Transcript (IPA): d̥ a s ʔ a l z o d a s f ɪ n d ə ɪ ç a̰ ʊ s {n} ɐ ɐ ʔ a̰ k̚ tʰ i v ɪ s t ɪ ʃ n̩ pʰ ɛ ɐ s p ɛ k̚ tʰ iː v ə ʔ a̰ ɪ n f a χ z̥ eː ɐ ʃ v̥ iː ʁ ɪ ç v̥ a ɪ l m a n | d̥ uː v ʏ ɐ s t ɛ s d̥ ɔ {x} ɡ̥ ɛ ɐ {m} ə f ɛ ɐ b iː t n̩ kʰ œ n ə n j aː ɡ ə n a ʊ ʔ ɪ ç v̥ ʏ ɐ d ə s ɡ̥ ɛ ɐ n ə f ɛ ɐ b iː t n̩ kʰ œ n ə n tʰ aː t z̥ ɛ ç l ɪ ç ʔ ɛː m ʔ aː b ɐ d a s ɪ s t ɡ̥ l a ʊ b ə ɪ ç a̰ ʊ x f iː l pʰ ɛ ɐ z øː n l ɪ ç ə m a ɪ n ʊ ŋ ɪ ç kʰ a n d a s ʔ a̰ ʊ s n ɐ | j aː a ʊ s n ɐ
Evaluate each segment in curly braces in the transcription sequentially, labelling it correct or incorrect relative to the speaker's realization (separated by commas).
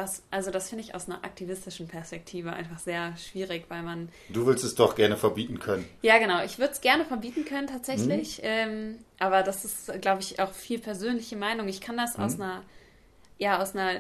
correct, incorrect, incorrect